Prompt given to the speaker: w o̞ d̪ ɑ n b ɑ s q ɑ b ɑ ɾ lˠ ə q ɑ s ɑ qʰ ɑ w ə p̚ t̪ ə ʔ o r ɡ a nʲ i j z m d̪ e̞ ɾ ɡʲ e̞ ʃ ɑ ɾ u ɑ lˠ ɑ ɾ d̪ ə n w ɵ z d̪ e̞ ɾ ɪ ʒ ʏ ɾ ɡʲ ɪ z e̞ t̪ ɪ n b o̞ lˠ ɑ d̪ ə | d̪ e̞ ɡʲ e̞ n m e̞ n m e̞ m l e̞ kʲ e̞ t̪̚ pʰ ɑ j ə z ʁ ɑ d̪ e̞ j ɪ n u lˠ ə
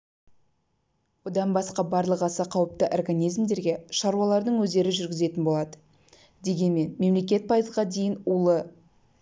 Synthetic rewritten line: w o̞ d̪ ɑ n b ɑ s q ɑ b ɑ ɾ lˠ ə q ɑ s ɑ qʰ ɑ w ə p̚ t̪ ə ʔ o r ɡ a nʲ i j z m d̪ e̞ ɾ ɡʲ e̞ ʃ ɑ ɾ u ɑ lˠ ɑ ɾ d̪ ə ɴ w ɵ z d̪ e̞ ɾ ɪ ʒ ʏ ɾ ɡʲ ɪ z e̞ t̪ ɪ n b o̞ lˠ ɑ d̪ ə | d̪ e̞ ɡʲ e̞ n m e̞ n m e̞ m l e̞ kʲ e̞ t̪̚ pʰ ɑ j ə z ʁ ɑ d̪ e̞ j ɪ n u lˠ ə